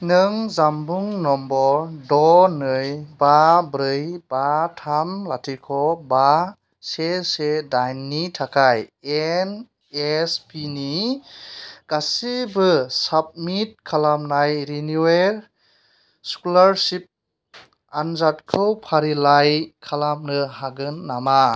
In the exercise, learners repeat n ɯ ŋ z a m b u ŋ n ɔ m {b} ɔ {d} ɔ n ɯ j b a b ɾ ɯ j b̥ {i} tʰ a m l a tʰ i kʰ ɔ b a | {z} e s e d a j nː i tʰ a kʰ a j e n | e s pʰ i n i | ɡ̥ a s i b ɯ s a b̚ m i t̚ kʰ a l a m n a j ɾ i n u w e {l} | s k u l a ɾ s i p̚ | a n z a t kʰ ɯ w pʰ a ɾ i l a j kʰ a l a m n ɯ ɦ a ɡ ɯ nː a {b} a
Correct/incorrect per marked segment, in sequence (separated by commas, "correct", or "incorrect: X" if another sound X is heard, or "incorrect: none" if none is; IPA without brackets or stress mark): correct, correct, incorrect: a, incorrect: s, incorrect: ɾ, incorrect: m